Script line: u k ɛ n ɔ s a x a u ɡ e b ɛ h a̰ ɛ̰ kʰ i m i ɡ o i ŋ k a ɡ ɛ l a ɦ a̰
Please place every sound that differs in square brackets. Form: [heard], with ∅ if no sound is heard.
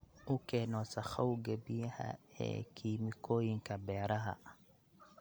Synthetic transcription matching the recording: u k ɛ n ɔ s a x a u ɡ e b [i] h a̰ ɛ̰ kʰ i m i [k] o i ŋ k a [b] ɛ [ɾ] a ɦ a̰